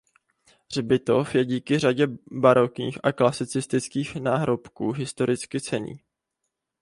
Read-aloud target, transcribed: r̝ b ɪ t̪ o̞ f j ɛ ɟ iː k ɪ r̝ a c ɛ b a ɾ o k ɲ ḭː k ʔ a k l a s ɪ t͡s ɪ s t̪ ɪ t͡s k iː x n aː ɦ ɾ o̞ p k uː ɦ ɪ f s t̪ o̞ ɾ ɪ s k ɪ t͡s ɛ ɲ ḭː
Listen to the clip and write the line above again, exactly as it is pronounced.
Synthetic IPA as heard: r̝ b ɪ t̪ o̞ f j ɛ ɟ iː k ɪ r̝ a ɟ ɛ b a ɾ o k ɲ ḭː x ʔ a k l a s ɪ t͡s ɪ s t̪ ɪ t͡s k iː x n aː ɦ ɾ o̞ p k uː ɦ ɪ s t̪ o̞ ɾ ɪ t͡s k ɪ t͡s ɛ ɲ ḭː